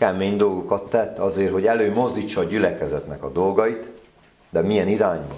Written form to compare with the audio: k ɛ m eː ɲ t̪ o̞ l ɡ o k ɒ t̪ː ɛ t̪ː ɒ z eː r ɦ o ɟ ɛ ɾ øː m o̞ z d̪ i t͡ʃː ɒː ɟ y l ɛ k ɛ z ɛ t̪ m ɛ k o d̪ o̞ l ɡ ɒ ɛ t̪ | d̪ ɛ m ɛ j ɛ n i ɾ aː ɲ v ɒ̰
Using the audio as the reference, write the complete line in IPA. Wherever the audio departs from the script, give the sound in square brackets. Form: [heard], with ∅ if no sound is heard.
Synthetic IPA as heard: k ɛ m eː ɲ [d̪] o̞ l ɡ o k ɒ t̪ː ɛ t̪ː ɒ z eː r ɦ o ɟ ɛ [l] øː m o̞ z d̪ i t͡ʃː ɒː ɟ y l ɛ k ɛ z ɛ t̪ [n] ɛ k [ɒ] d̪ o̞ l ɡ ɒ [i] t̪ | d̪ ɛ m [i] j ɛ n i ɾ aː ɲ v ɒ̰